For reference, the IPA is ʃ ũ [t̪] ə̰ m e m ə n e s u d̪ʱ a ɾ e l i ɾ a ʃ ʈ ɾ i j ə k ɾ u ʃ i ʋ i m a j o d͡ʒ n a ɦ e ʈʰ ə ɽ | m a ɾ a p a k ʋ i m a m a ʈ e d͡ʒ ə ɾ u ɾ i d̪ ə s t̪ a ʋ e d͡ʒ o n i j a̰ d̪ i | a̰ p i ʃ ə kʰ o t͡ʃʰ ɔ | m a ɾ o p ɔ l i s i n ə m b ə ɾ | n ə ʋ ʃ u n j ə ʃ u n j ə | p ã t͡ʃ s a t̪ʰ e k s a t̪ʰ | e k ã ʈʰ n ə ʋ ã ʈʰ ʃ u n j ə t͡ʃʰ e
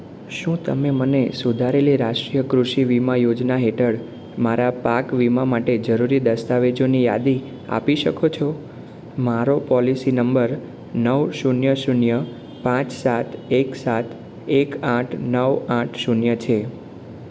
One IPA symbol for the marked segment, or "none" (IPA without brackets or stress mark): t̪